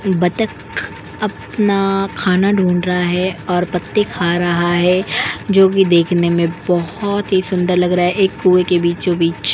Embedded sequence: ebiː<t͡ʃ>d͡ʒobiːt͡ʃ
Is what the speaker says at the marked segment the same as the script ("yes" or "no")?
yes